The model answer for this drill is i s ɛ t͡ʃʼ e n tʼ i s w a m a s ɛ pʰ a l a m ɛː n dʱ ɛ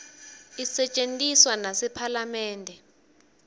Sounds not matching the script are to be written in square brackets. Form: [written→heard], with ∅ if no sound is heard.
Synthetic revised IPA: i s ɛ t͡ʃʼ e n tʼ i s w a [m→n] a s ɛ pʰ a l a m ɛː n dʱ ɛ